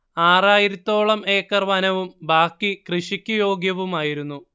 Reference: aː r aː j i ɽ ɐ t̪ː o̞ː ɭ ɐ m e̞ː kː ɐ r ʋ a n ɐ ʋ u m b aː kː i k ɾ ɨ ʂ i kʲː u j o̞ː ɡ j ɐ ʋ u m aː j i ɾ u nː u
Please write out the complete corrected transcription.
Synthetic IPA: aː r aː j i ɾ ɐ t̪ː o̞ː ɭ ɐ m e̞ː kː ɐ r ʋ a n ɐ ʋ u m b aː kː i k r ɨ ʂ i kʲː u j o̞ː ɡ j ɐ ʋ u m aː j i ɾ u nː u